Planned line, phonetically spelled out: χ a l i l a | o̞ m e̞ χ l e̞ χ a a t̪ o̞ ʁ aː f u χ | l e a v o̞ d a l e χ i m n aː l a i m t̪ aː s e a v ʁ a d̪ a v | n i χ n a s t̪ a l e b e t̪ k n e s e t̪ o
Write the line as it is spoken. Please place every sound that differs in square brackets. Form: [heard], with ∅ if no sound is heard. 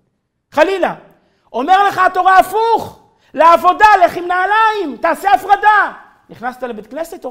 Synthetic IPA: χ a l i l a | o̞ m e̞ [ʁ] l e̞ χ a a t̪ o̞ ʁ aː f u χ | l e a v o̞ d a l e χ i m n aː l a i m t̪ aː s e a [f] ʁ a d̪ a [∅] | n i χ n a s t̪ a l e b e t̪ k n e s e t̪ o